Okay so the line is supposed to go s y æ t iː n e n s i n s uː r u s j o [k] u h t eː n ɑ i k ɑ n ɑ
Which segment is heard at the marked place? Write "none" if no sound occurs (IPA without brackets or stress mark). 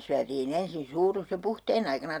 p